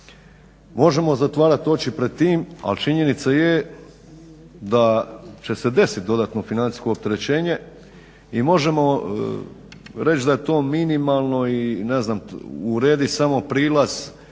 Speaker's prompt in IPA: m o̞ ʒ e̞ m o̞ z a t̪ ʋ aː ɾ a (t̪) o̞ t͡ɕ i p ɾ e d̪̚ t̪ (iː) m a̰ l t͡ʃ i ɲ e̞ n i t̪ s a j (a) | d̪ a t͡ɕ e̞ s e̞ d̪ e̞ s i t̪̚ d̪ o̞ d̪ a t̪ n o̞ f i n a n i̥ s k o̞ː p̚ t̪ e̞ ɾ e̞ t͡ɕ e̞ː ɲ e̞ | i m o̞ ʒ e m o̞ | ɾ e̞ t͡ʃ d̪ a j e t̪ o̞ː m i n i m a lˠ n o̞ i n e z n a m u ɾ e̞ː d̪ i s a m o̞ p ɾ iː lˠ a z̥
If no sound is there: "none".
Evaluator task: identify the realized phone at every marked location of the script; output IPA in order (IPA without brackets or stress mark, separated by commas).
t̪, iː, e